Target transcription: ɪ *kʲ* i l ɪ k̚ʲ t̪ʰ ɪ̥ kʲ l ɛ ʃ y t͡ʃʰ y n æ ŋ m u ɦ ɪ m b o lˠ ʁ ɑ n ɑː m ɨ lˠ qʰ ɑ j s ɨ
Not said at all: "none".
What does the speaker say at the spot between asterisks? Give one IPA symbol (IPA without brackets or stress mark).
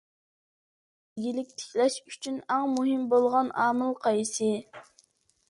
ɡʲ